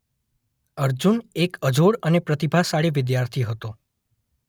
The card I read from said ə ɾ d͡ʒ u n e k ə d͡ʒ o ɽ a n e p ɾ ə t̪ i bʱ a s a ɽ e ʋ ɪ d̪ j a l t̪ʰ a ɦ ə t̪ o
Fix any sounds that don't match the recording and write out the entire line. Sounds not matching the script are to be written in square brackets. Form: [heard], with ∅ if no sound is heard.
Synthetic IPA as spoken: ə ɾ d͡ʒ u n e k ə d͡ʒ o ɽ [ə] n e p ɾ ə t̪ i bʱ a s a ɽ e ʋ ɪ d̪ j a [ɾ] t̪ʰ [i] ɦ ə t̪ o